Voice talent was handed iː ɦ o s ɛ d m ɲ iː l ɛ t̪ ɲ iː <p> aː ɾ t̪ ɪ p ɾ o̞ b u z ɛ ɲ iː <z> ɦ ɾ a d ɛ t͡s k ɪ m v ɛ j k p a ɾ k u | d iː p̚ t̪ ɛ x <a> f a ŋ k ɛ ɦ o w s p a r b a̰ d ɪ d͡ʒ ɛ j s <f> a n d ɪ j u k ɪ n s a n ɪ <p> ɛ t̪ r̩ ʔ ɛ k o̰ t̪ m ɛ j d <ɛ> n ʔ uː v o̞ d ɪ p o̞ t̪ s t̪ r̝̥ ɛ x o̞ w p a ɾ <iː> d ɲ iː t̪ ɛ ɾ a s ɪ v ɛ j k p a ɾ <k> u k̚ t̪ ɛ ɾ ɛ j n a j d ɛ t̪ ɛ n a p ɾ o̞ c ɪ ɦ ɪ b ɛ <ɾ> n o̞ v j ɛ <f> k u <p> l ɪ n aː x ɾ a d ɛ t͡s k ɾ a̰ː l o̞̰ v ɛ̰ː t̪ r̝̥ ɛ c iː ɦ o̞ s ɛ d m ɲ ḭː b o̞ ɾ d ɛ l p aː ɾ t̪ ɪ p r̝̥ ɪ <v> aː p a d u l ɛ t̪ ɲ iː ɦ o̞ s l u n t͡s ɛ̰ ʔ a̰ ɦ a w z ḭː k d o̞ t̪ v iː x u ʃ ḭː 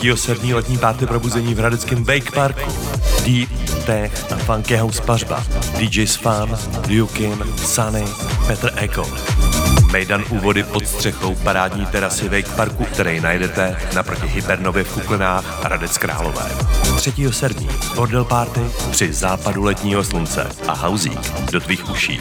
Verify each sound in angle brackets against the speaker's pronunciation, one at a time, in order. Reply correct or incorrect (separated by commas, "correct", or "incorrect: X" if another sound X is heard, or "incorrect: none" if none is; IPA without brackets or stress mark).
correct, incorrect: v, correct, correct, correct, incorrect: a, incorrect: aː, correct, correct, correct, incorrect: k, incorrect: z